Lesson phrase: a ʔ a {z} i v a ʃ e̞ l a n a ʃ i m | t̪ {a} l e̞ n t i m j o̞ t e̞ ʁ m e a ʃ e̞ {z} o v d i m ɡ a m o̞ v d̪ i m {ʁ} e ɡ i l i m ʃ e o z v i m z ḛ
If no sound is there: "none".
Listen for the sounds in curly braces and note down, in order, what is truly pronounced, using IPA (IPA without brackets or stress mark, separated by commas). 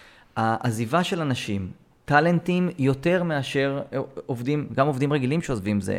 z, a, ʁ, ʁ